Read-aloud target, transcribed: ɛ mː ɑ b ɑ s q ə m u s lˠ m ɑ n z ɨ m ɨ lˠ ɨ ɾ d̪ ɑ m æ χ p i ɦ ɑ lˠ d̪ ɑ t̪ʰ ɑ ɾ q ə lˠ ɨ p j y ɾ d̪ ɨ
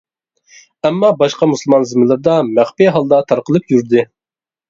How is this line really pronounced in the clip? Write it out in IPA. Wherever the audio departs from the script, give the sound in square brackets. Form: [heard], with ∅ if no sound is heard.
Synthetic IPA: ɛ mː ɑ b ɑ [ʃ] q [ɑ] m u s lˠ m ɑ n z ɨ m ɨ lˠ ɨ ɾ d̪ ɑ m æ χ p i ɦ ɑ lˠ d̪ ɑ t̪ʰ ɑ ɾ q ə lˠ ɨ p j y ɾ d̪ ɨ